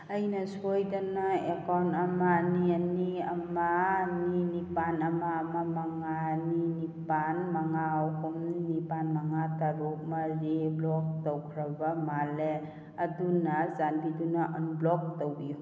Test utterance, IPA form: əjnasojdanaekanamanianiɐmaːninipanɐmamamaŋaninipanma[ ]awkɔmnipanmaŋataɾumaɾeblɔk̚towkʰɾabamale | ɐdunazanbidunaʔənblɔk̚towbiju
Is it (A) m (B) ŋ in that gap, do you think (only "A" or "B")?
B